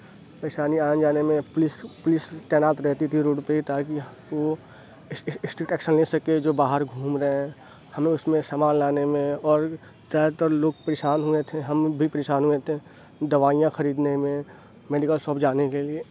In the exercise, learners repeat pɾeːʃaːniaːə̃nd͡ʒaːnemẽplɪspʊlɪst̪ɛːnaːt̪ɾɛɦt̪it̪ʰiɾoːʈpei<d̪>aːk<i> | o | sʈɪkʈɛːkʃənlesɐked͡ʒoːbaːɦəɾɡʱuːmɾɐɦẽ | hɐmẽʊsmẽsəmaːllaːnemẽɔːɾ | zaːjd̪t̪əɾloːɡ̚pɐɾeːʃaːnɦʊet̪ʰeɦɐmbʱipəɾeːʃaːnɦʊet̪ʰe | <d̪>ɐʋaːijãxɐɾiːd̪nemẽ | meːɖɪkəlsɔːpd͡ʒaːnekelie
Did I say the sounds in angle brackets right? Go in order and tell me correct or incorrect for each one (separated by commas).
incorrect, correct, correct